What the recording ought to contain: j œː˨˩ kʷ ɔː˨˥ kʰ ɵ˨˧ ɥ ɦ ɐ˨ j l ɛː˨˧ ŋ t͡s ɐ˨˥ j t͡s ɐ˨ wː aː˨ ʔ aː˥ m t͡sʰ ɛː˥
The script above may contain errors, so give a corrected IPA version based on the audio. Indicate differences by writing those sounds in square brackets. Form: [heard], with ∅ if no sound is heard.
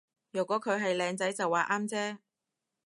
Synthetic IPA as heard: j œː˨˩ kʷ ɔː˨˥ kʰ ɵ˨˧ ɥ ɦ ɐ˨ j l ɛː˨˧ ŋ t͡s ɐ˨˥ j t͡s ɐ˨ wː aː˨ ʔ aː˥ m [t͡s] ɛː˥

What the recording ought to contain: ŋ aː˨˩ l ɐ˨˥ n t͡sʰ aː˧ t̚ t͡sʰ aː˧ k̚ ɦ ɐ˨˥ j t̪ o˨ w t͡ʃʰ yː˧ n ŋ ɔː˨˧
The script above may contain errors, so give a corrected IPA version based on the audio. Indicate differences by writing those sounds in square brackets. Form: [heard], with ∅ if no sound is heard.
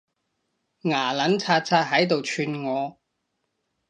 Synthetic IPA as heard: ŋ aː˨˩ l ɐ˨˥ n t͡sʰ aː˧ t̚ t͡sʰ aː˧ [t̚] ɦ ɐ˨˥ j t̪ o˨ w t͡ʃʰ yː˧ n ŋ ɔː˨˧

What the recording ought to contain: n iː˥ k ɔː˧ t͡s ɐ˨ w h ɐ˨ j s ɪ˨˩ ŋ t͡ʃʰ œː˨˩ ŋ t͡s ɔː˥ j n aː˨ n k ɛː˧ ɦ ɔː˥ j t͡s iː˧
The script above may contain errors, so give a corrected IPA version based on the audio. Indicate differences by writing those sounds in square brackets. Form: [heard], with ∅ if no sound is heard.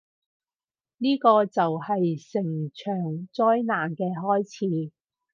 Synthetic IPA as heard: n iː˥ k ɔː˧ t͡s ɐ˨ w h ɐ˨ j s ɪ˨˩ ŋ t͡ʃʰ œː˨˩ ŋ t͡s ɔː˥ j n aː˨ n k ɛː˧ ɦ ɔː˥ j [t͡sʰ] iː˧

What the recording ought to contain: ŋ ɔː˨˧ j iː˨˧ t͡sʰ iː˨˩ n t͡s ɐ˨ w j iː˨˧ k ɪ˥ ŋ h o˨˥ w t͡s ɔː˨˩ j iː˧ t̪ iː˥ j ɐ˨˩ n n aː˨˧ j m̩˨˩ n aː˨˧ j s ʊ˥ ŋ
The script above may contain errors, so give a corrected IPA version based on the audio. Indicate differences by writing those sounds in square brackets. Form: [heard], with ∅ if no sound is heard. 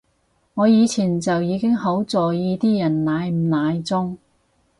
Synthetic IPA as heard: ŋ ɔː˨˧ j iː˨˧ t͡sʰ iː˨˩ n t͡s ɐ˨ w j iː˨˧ k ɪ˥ ŋ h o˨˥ w t͡s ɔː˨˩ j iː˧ t̪ iː˥ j ɐ˨˩ n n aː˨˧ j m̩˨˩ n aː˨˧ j [t͡s] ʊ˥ ŋ

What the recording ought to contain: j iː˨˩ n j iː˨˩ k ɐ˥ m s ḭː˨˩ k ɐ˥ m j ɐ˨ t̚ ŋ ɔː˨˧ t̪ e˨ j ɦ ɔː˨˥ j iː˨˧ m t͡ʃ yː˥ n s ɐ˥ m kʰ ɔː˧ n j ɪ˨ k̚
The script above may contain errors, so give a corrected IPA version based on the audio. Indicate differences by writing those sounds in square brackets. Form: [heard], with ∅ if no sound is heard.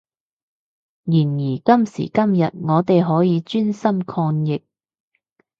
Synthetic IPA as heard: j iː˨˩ n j iː˨˩ k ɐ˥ m s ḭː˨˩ k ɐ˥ m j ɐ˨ t̚ ŋ ɔː˨˧ t̪ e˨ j ɦ ɔː˨˥ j iː˨˧ [∅] t͡ʃ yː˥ n s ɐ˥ m kʰ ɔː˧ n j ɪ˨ k̚

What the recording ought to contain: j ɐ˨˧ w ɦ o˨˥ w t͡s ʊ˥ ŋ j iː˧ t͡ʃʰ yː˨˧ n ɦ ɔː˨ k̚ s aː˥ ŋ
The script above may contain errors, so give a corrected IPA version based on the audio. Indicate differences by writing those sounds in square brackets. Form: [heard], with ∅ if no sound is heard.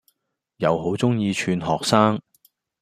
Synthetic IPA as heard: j ɐ˨˧ w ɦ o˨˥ w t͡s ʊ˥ ŋ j iː˧ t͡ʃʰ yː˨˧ n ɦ ɔː˨ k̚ s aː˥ ŋ

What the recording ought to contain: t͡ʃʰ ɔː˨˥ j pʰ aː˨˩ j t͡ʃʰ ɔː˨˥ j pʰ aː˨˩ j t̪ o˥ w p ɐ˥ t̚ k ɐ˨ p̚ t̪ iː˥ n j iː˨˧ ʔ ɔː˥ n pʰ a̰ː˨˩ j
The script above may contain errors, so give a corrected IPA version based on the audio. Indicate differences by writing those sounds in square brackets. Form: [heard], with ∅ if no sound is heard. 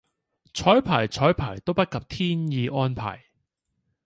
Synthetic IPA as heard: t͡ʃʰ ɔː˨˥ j pʰ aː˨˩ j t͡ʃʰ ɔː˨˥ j pʰ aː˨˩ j t̪ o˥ w p ɐ˥ t̚ k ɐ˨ p̚ [t̪ʰ] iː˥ n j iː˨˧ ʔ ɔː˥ n pʰ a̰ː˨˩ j

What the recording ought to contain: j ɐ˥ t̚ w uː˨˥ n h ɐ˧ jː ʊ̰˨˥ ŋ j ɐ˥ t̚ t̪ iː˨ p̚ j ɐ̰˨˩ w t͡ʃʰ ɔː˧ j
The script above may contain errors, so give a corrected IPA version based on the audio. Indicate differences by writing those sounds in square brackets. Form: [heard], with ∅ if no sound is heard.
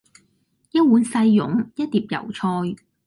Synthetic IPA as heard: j ɐ˥ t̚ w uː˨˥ n [s] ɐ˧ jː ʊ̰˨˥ ŋ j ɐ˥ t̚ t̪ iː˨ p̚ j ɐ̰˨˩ w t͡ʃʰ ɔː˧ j

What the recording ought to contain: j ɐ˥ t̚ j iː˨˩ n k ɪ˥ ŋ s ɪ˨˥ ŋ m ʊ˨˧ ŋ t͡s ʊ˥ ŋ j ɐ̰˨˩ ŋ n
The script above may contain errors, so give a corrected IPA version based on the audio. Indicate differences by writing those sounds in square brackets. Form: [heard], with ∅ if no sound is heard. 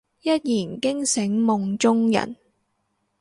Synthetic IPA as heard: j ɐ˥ t̚ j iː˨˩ n k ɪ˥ ŋ s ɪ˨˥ ŋ m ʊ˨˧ ŋ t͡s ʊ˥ ŋ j ɐ̰˨˩ [∅] n

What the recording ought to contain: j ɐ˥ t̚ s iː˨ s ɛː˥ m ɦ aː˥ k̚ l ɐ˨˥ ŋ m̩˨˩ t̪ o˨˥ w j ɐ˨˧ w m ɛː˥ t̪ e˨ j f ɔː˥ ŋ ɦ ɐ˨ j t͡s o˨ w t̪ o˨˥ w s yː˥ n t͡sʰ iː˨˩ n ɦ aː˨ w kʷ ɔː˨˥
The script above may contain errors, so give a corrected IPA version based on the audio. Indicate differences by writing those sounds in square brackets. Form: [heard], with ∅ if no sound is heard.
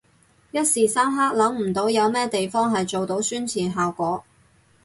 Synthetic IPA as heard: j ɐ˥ t̚ s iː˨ s [aː˥] m ɦ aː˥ k̚ l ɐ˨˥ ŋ m̩˨˩ t̪ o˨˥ w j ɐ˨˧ w m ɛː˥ t̪ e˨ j f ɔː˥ ŋ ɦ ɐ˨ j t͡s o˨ w t̪ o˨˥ w s yː˥ n t͡sʰ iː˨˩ n ɦ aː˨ w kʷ ɔː˨˥

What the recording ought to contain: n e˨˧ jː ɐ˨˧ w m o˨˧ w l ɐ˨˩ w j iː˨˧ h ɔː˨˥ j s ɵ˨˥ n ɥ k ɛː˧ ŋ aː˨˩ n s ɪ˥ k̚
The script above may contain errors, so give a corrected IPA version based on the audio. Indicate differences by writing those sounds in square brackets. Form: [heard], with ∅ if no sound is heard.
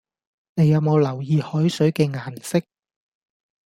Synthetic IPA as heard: n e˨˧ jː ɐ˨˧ w m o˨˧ w l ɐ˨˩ w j iː˨˧ h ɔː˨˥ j s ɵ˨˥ [∅] ɥ k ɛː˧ ŋ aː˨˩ n s ɪ˥ k̚

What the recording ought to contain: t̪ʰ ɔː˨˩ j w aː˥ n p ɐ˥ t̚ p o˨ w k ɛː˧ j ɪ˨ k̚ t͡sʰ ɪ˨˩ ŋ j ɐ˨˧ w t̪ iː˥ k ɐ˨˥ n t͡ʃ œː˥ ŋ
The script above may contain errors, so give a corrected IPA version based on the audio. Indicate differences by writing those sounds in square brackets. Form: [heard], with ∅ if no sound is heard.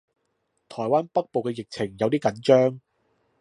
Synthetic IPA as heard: t̪ʰ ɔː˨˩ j w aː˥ n p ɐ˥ [k̚] p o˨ w k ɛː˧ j ɪ˨ k̚ t͡sʰ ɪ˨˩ ŋ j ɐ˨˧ w t̪ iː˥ k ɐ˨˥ n t͡ʃ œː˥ ŋ

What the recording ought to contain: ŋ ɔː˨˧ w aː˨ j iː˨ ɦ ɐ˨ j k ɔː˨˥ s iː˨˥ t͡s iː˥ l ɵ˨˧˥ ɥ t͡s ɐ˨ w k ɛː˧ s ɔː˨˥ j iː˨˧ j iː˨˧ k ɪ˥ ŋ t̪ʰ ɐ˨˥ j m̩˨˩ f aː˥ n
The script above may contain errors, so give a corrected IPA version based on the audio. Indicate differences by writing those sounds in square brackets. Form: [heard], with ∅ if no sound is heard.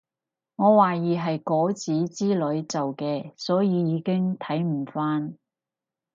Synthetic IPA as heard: ŋ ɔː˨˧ w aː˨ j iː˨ ɦ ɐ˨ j k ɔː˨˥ [t͡s] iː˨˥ t͡s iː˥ l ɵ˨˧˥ ɥ t͡s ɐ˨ w k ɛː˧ s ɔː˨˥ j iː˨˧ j iː˨˧ k ɪ˥ ŋ t̪ʰ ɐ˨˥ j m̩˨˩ f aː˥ n

